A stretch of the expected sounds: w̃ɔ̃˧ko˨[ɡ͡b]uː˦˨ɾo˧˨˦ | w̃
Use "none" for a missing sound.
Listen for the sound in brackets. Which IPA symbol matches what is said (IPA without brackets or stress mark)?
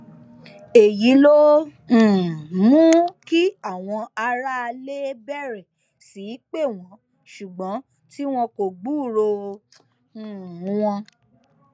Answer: ɡ͡b